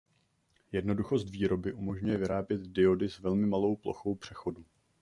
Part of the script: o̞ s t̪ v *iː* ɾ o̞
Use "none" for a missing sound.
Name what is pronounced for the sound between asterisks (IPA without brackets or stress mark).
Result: iː